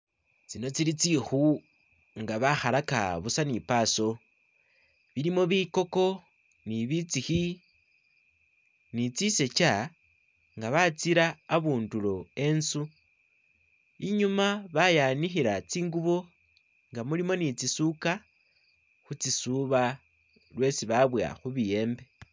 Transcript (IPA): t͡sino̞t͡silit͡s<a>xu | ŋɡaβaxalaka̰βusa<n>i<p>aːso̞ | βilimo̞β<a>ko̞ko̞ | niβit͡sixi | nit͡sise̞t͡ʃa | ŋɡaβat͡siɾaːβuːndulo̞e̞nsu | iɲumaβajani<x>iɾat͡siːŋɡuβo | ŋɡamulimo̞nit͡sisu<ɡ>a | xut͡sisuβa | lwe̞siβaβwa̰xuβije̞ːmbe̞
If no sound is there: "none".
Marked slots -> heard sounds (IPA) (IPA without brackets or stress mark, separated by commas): i, n, p, i, x, k